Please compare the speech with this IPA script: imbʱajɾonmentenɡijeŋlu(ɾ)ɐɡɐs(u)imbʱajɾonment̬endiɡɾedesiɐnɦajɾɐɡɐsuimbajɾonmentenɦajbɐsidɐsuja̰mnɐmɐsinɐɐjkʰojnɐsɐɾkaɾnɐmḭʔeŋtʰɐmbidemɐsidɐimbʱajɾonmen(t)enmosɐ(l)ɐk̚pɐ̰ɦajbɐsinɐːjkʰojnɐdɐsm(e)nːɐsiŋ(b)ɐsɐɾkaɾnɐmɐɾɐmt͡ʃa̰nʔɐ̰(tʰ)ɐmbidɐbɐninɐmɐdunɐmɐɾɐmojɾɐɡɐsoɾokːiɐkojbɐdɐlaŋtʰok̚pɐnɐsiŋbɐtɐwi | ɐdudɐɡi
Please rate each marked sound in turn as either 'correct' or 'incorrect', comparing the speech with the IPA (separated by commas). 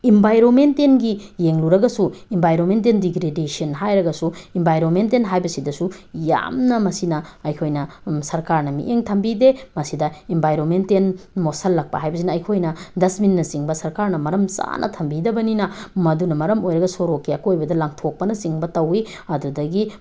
correct, correct, correct, incorrect, incorrect, correct, correct